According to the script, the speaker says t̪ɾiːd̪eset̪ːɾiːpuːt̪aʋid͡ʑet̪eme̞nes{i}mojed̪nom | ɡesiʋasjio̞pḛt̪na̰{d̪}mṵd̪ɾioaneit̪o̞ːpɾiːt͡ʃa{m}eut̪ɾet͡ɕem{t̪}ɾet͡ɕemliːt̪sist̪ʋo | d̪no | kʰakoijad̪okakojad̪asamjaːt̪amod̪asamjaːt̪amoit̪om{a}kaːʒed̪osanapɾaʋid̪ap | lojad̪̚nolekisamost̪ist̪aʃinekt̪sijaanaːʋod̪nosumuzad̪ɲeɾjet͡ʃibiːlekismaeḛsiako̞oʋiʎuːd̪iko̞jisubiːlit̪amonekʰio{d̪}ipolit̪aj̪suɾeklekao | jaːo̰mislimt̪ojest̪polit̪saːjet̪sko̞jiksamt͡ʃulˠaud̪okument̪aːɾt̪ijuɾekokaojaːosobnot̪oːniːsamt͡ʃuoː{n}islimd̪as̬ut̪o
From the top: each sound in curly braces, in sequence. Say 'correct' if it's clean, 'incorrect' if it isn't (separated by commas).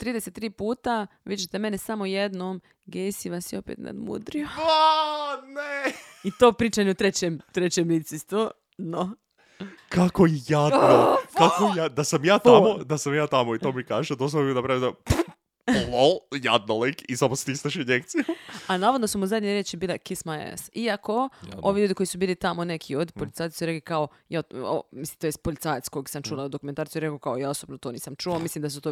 incorrect, correct, incorrect, correct, incorrect, correct, incorrect